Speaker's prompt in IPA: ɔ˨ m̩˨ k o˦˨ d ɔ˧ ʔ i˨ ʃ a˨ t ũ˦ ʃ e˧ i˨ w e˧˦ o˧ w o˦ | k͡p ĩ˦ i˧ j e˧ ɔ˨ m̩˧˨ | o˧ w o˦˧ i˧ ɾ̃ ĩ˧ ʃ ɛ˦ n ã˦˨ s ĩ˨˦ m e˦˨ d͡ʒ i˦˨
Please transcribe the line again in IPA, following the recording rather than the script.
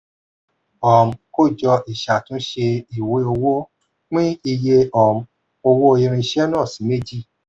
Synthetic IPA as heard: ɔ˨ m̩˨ k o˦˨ d͡ʒ ɔ˧ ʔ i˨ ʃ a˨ t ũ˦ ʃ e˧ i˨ w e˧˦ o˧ w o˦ | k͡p ĩ˦ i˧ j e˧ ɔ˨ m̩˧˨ | o˧ w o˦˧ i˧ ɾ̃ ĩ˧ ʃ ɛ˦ n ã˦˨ s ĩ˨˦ m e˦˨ d͡ʒ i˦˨